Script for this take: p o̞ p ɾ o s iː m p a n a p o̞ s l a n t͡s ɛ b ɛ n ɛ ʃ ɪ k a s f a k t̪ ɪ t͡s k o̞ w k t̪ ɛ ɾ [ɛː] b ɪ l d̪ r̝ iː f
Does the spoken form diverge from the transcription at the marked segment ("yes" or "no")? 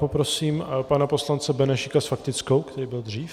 yes